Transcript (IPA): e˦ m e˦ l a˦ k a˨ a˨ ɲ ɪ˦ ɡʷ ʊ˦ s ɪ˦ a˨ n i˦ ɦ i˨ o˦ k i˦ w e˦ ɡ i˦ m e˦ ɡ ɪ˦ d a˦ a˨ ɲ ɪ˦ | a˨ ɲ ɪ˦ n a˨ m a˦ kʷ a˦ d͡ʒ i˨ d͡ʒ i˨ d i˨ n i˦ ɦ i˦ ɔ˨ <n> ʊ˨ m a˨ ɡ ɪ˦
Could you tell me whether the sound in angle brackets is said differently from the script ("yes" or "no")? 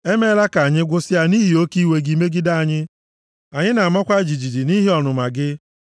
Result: no